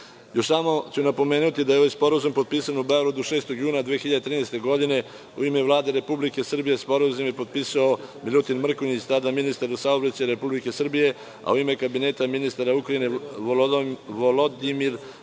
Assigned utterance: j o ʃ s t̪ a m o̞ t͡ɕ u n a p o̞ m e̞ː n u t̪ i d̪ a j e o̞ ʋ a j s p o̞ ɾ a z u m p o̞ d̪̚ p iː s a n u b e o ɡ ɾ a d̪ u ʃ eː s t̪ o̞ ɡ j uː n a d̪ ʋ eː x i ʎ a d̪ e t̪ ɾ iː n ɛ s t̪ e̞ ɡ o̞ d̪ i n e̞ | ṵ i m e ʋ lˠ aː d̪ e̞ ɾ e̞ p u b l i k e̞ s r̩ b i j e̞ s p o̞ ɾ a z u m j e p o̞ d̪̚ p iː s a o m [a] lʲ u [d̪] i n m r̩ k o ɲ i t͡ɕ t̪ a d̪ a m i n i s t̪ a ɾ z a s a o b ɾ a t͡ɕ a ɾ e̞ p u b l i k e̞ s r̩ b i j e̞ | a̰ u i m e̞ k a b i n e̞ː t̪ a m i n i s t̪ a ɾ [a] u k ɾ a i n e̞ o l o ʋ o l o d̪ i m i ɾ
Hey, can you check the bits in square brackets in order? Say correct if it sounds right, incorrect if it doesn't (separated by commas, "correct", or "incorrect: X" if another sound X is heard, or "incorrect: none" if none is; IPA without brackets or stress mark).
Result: incorrect: i, incorrect: t̪, correct